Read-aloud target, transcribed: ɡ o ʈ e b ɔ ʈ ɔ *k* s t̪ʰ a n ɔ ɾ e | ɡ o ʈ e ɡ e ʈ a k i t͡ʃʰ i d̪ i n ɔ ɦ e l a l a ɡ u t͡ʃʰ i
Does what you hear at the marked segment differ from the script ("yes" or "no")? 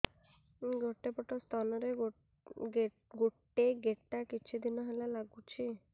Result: yes